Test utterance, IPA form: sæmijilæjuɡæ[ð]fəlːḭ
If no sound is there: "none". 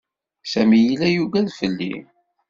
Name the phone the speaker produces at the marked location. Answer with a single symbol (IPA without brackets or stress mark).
ð